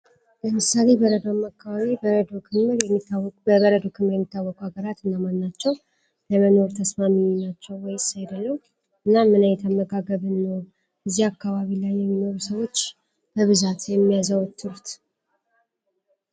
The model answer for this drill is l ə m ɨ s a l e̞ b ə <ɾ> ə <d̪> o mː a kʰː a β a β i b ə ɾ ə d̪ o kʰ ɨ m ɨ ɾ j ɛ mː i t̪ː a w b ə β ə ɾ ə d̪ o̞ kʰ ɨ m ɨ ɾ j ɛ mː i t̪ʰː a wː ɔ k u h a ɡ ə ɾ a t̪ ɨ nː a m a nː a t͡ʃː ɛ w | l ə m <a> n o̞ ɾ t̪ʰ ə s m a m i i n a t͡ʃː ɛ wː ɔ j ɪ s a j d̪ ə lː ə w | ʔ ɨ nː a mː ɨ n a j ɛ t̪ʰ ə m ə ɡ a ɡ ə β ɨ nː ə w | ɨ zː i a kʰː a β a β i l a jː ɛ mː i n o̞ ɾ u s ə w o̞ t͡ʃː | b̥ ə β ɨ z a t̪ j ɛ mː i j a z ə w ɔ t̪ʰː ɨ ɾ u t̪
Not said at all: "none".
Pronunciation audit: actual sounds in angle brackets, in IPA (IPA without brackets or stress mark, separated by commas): ɾ, d̪, ə